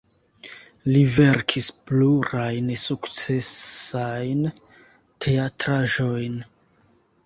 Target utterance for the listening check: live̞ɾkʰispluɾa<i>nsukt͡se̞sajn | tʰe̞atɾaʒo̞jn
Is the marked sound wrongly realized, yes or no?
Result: yes